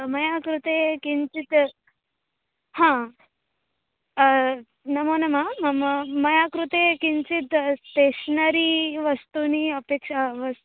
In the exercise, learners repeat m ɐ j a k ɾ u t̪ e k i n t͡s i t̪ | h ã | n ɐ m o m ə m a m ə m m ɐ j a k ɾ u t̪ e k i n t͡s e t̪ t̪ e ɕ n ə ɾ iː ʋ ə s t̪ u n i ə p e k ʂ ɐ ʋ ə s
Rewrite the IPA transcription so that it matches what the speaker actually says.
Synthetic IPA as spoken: m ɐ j a k ɾ u t̪ e k i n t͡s i t̪ | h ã | n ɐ m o n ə m a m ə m m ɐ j a k ɾ u t̪ e k i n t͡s i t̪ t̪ e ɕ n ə ɾ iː ʋ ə s t̪ u n i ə p e k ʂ a ʋ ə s